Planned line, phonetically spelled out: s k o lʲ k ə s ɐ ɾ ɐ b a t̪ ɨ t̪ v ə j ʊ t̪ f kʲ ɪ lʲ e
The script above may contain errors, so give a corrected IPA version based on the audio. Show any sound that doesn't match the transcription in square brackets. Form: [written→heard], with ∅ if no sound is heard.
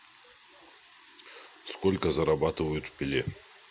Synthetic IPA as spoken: s k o lʲ k ə [s→z] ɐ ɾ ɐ b a t̪ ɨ [t̪→∅] v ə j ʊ t̪ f [kʲ→pʲ] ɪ lʲ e